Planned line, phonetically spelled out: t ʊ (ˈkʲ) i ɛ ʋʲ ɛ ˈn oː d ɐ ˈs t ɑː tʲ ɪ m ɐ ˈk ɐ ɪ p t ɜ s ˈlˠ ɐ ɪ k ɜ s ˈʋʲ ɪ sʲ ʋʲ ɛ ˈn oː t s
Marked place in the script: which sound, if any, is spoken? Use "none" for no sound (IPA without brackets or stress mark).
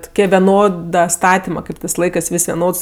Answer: kʲ